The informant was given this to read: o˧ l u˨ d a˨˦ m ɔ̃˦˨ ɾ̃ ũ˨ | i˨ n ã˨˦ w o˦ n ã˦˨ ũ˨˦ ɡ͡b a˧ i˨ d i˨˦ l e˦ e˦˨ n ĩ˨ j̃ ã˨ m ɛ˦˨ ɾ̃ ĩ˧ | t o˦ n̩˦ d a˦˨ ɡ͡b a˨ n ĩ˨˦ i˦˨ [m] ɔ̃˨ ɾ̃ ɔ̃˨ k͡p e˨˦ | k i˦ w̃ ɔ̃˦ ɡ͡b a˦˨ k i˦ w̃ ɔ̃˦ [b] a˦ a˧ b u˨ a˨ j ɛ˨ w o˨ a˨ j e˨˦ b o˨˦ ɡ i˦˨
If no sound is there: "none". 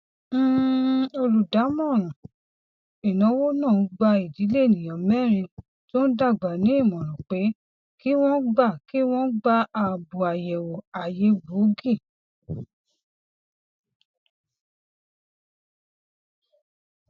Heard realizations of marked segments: m, ɡ͡b

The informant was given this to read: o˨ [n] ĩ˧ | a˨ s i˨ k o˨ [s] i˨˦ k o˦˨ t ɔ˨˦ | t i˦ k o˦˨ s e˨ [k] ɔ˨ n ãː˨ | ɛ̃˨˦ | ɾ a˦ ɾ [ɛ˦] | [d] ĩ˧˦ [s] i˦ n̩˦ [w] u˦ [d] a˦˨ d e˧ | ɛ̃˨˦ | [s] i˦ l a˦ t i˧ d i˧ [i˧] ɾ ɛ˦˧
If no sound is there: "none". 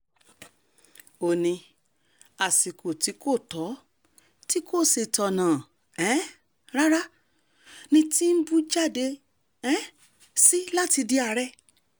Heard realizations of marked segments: n, t, t, a˦, n, t, b, d͡ʒ, s, a˧

